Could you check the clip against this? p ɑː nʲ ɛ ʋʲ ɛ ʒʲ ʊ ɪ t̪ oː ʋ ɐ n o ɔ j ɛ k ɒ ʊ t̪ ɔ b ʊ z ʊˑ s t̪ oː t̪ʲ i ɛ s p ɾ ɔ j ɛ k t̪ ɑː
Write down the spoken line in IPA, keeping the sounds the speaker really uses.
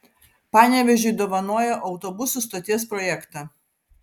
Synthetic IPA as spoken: p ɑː nʲ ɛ ʋʲ ɛ ʒʲ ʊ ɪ d̪ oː ʋ ɐ n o ɔ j ɛ ʔ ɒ ʊ t̪ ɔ b ʊ s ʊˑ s t̪ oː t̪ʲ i ɛ s p ɾ ɔ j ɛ k t̪ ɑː